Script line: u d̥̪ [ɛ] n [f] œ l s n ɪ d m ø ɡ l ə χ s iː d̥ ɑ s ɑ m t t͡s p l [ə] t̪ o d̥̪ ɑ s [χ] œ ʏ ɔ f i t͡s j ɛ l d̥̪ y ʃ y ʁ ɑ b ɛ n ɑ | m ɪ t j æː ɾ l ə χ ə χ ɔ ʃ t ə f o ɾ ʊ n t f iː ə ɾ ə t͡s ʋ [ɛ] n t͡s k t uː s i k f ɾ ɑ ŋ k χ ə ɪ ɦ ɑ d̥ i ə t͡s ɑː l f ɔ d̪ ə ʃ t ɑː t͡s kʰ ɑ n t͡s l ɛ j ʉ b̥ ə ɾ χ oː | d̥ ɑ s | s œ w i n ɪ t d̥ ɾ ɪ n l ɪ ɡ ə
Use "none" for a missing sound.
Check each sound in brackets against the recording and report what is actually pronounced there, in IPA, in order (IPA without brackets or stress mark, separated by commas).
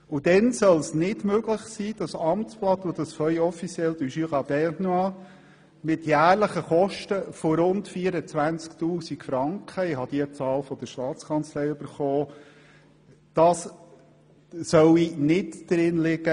ɛ, s, ɑ, f, æ